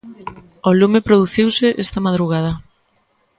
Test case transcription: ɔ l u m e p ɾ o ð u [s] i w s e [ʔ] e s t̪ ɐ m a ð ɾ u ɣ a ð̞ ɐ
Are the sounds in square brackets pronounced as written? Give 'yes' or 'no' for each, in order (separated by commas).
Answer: no, yes